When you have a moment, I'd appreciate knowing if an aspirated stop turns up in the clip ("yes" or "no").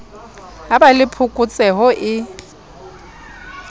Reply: yes